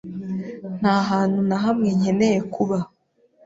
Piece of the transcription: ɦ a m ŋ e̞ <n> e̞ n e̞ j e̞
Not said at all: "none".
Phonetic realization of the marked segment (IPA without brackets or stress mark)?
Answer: ɲ